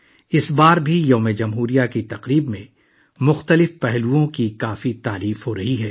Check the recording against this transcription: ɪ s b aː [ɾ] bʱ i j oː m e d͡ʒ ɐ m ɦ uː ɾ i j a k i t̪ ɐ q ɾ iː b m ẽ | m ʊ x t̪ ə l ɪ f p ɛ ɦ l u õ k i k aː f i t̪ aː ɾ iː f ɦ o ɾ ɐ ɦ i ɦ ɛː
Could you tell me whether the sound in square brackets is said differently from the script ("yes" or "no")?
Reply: no